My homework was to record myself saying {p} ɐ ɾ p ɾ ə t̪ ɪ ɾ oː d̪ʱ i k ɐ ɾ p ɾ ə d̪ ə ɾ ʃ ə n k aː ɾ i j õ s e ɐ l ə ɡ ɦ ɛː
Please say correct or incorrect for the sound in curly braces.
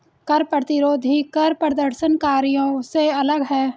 incorrect